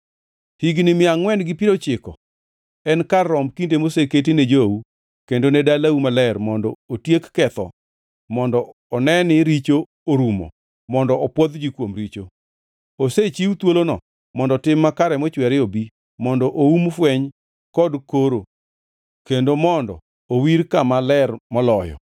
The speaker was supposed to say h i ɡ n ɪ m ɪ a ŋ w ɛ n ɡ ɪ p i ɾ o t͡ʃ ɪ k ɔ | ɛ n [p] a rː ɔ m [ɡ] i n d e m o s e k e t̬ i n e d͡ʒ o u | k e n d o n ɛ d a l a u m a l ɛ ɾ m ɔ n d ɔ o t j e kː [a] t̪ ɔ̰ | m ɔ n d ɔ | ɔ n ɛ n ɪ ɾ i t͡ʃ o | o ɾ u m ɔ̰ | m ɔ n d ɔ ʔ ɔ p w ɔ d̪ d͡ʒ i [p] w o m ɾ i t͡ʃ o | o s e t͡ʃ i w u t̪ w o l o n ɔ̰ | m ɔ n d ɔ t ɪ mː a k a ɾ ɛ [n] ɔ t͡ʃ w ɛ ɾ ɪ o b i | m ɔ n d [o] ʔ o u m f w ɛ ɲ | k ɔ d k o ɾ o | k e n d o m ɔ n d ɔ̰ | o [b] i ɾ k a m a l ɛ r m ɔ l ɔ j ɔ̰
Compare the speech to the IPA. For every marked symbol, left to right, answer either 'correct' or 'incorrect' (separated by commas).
incorrect, incorrect, incorrect, incorrect, incorrect, incorrect, incorrect